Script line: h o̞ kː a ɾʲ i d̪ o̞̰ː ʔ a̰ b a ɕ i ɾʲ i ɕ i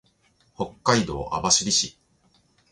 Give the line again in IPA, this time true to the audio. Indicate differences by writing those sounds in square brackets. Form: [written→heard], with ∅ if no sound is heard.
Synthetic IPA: h o̞ kː a [ɾʲ→∅] i d̪ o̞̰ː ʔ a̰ b a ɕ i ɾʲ i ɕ i